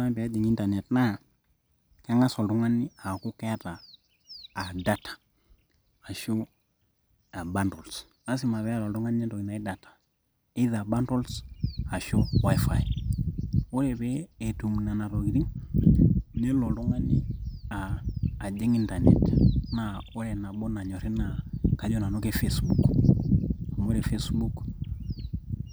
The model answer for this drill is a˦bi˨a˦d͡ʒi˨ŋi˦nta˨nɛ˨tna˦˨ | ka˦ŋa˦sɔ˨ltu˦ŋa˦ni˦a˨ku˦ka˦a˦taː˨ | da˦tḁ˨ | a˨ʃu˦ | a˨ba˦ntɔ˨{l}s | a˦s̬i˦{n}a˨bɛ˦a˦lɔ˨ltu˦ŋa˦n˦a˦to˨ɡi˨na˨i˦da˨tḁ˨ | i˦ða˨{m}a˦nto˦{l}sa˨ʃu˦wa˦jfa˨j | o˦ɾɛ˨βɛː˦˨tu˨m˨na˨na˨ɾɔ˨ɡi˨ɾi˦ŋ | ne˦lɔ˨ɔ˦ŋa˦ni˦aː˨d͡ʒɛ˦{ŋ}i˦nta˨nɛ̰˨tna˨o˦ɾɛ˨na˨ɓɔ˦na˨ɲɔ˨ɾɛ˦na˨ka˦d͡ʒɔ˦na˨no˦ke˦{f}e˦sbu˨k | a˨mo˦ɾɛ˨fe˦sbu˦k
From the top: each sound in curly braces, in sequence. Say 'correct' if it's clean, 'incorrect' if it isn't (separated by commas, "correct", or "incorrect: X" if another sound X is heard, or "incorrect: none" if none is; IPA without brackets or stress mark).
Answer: correct, incorrect: m, incorrect: b, correct, correct, correct